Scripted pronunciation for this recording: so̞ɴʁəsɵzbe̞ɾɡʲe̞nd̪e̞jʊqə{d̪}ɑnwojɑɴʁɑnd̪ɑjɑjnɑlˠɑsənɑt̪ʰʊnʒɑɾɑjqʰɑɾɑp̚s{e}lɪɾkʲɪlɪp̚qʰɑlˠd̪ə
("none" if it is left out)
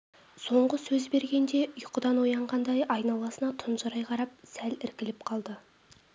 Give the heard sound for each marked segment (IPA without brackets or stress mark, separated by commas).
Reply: d̪, æ